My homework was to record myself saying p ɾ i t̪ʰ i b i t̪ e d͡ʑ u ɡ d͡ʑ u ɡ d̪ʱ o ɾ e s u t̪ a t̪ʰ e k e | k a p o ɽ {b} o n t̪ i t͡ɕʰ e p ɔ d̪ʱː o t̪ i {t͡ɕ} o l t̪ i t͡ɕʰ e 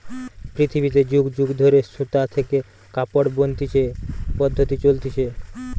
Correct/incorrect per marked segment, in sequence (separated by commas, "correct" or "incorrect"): correct, correct